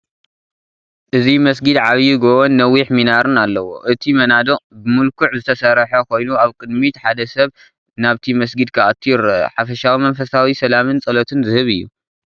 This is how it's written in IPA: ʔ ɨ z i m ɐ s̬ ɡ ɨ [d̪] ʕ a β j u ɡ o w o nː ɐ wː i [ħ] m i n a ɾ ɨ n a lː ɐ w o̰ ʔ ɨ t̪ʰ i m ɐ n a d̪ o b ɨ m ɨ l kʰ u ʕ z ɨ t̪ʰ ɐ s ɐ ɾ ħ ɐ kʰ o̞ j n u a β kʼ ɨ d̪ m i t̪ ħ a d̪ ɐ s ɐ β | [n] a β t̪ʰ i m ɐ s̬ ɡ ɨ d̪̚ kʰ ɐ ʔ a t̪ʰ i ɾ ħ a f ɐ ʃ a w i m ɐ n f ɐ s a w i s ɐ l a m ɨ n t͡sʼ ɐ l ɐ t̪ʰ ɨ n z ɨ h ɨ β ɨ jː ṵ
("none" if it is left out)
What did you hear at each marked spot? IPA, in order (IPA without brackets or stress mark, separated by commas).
d̪, ħ, n